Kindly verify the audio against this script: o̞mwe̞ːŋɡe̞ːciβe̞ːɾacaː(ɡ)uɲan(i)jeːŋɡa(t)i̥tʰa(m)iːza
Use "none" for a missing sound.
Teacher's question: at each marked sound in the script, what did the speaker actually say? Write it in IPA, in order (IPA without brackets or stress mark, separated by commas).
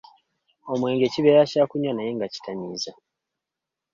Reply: k, a, c, ɲ